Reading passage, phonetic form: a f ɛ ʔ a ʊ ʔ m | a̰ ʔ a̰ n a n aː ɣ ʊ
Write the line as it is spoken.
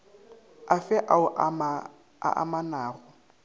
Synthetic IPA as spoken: a f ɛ ʔ a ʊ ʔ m | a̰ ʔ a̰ m a n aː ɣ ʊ

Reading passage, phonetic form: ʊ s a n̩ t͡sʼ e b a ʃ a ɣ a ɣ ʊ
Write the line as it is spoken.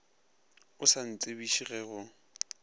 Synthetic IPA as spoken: ʊ s a n̩ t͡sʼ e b i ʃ i ɣ ɛ ɣ ʊ

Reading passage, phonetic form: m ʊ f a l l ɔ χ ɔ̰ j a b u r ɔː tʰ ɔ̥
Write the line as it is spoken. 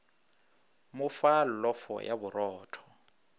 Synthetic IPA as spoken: m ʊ f a l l ɔ f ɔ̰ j a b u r ɔː tʰ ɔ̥

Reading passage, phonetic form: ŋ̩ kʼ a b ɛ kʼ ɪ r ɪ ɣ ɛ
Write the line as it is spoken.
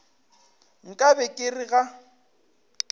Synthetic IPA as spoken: ŋ̩ kʼ a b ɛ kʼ ɪ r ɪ ɣ a

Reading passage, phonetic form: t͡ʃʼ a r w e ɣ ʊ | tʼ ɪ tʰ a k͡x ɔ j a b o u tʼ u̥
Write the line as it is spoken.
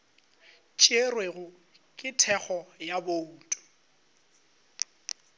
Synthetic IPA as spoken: t͡ʃʼ e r w e ɣ ʊ | kʼ ɪ tʰ ɛ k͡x ɔ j a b o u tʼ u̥

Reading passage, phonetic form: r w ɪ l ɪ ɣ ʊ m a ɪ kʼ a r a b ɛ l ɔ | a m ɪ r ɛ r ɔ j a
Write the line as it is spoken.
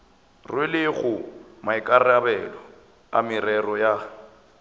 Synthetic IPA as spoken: r w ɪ l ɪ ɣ ʊ m a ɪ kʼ a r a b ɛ l ɔ | a m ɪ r ɛ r ɔ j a

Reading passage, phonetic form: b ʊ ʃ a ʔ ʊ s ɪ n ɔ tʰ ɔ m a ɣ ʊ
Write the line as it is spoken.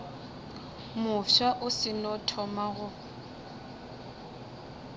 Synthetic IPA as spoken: m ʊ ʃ a ʔ ʊ s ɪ n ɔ tʰ ɔ m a ɣ ʊ

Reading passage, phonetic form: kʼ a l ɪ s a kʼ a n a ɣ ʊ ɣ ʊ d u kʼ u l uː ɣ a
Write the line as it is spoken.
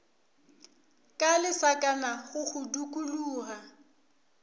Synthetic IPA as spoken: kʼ a l ɪ s a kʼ a n a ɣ ʊ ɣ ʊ d u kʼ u l uː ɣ a

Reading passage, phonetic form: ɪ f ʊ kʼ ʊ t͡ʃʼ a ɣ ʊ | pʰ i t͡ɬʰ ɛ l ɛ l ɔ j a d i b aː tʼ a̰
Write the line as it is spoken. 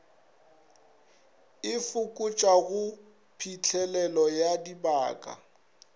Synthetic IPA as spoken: ɪ f ʊ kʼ ʊ t͡ʃʼ a ɣ ʊ | pʰ i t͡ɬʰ ɛ l ɛ l ɔ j a d i b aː kʼ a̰

